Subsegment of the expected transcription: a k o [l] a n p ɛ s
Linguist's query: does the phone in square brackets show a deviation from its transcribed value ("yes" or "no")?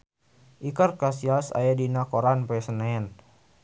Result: yes